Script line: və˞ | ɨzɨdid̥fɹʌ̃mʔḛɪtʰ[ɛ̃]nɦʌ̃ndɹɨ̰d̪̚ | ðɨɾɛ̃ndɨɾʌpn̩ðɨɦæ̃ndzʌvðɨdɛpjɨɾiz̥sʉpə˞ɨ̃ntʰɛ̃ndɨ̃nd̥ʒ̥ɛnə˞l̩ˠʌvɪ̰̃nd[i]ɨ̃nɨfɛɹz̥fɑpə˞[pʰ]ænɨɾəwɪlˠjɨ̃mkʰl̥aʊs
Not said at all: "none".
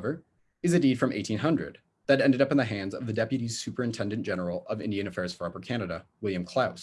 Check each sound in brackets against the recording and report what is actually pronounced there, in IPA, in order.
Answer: ĩ, i, kʰ

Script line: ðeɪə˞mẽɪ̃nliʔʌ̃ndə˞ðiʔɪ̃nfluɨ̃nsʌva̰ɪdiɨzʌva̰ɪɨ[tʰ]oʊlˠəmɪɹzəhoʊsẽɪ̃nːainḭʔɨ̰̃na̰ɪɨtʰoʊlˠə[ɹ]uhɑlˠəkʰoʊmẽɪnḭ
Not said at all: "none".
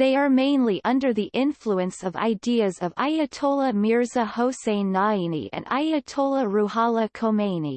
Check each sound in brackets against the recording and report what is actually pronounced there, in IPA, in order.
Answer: tʰ, ɹ

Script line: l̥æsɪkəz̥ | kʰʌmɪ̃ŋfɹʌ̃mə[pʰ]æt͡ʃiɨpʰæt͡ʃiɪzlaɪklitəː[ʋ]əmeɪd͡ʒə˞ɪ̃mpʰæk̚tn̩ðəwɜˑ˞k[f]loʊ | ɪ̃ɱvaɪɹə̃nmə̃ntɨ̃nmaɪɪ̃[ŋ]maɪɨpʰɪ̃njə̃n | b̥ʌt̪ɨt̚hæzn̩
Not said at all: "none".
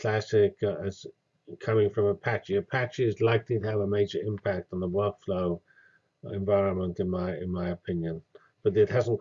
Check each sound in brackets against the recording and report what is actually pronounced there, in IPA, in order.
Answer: pʰ, v, f, n

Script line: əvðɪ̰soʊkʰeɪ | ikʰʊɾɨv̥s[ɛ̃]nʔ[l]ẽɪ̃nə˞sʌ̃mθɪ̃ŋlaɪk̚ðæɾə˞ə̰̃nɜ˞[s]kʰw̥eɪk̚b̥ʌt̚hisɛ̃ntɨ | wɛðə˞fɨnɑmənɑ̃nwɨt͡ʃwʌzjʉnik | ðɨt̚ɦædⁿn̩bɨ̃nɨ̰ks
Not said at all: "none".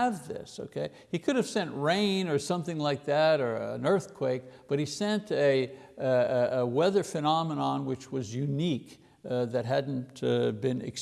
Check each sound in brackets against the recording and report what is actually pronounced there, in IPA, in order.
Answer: ɛ̃, ɹ, θ

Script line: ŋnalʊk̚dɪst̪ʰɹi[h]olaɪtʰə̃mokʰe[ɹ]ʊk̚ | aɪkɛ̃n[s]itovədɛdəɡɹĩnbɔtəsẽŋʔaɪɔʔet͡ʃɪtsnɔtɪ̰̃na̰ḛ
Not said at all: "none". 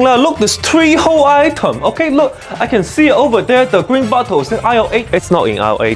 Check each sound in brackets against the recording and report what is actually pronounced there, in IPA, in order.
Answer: h, l, s

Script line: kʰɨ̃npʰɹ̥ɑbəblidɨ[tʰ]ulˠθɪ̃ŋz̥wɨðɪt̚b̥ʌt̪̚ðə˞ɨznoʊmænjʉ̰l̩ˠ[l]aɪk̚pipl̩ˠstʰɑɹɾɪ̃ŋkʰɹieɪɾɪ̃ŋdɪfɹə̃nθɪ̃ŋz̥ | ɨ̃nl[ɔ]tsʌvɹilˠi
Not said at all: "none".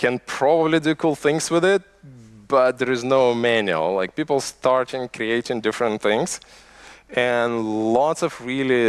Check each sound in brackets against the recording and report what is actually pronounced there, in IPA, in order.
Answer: kʰ, l, ɔ

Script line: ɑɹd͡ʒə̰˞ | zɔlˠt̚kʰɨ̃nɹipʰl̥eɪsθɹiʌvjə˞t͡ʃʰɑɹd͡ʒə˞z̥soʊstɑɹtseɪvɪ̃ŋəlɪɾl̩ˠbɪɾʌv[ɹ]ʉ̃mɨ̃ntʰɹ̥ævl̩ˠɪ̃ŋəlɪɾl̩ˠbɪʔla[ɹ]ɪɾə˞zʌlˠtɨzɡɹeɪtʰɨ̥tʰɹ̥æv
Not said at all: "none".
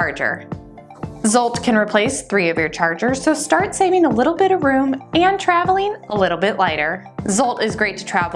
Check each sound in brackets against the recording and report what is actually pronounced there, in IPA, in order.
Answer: ɹ, none

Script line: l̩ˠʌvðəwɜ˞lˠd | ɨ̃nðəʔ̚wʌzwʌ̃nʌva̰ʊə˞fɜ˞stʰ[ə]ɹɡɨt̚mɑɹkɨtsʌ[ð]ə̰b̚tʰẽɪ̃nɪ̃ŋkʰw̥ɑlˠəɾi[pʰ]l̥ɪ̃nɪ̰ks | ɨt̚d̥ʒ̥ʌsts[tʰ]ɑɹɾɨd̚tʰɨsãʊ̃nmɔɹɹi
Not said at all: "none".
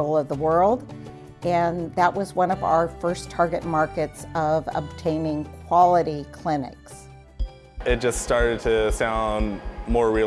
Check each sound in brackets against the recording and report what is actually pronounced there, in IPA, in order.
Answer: ɑ, v, kʰ, t

